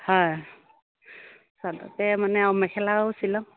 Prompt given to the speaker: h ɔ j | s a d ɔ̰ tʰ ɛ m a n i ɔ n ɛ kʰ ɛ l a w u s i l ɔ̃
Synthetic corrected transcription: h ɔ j | s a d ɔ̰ t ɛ m a n ɛ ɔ m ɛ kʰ ɛ l a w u s i l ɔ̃